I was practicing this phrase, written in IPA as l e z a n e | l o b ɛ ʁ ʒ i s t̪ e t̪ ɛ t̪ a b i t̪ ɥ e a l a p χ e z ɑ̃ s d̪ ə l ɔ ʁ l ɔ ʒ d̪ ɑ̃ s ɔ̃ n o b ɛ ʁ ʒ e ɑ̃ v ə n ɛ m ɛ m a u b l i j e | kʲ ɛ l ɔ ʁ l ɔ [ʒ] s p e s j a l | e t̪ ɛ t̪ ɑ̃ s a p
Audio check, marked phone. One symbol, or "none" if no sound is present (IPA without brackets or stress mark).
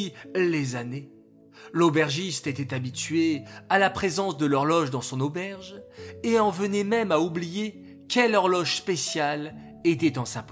ʒ